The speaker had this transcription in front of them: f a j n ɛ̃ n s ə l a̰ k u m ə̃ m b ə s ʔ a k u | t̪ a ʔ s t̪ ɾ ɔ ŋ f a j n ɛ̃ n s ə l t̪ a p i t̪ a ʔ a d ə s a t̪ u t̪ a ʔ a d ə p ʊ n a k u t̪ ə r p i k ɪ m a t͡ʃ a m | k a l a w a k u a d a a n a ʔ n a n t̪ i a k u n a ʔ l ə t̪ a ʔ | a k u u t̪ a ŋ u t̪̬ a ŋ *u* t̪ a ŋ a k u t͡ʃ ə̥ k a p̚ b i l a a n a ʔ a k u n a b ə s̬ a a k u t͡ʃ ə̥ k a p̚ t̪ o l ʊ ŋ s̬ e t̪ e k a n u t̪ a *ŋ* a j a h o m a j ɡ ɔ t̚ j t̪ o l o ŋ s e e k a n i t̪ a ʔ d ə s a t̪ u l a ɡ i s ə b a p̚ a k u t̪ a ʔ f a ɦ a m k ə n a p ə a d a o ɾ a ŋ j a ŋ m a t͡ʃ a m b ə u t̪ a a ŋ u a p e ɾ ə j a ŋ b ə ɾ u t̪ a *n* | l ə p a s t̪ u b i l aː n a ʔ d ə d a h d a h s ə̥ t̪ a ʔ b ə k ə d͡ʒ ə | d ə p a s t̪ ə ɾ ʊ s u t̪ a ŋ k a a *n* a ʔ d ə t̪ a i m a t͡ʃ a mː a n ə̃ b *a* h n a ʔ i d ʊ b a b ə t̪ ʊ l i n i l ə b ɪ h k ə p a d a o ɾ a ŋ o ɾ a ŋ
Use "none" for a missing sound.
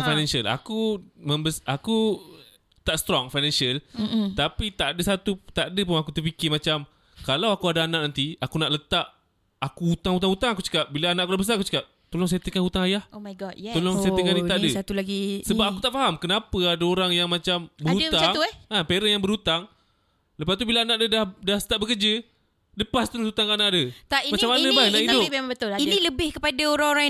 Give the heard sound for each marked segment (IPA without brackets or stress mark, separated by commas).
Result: u, ŋ, ŋ, n, a